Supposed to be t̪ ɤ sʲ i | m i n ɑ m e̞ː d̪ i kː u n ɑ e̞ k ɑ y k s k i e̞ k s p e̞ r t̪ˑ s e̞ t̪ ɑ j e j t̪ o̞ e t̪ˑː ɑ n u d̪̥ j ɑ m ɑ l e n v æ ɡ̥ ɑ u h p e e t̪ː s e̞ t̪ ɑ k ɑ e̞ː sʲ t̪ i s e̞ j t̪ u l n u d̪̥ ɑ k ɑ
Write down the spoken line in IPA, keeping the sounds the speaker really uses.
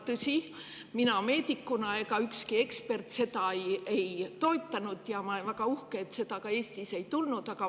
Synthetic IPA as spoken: t̪ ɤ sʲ i | m i n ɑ m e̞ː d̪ i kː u n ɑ e̞ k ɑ y k s k i e̞ k s p e̞ r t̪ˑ s e̞ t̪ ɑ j e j t̪ o̞ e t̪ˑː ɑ n u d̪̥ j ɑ m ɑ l e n v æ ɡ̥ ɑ u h k e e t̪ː s e̞ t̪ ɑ k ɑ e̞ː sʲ t̪ i s e̞ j t̪ u l n u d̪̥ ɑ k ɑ